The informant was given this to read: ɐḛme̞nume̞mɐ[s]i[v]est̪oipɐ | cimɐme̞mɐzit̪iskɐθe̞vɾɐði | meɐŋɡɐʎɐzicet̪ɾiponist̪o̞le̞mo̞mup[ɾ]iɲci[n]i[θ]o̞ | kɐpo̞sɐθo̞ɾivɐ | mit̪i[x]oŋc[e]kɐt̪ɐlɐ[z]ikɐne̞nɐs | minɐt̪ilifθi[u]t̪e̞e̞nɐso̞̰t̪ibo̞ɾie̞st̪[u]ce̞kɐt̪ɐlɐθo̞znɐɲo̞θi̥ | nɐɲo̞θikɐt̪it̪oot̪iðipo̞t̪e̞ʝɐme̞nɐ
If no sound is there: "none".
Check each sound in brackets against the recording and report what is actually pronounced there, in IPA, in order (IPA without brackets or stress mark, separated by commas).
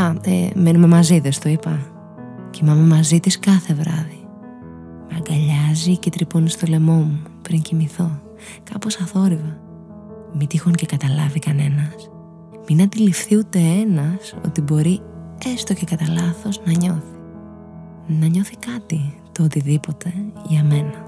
z, ð, ɾ, m, θ, x, e, v, u, o